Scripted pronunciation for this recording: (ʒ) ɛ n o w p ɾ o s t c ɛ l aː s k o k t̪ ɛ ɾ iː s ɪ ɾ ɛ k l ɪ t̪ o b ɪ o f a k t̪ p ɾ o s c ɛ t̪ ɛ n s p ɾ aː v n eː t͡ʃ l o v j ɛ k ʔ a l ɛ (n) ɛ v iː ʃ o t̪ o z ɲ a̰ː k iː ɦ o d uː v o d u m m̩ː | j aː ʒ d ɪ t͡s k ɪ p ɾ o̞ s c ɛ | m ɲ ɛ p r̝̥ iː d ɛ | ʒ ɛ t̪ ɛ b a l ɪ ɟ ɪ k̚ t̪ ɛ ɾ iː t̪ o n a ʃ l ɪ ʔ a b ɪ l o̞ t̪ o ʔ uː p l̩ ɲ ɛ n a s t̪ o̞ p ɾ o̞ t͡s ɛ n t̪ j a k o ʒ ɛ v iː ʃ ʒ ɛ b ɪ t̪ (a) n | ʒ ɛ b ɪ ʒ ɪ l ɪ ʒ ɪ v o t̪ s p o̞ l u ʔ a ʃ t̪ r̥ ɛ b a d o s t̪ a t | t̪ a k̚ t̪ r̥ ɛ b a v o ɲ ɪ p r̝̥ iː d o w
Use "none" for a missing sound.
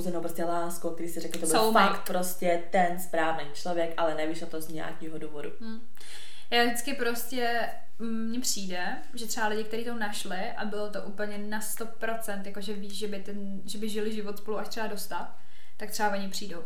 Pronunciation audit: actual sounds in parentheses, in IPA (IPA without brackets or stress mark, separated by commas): z, n, ɛ